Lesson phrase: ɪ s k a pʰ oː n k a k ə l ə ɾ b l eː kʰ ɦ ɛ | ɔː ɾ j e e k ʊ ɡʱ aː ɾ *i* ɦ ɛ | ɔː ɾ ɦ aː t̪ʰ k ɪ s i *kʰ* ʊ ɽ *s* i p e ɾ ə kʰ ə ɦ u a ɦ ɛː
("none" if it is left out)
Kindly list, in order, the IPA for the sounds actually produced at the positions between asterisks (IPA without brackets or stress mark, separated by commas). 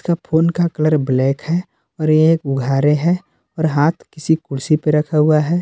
e, k, s